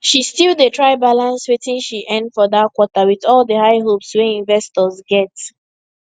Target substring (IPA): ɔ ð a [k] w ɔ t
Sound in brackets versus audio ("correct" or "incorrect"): correct